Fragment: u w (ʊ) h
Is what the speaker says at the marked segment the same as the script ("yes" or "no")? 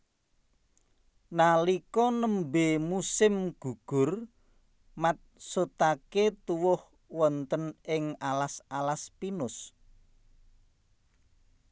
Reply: yes